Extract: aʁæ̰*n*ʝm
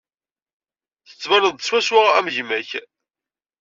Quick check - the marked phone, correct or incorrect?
incorrect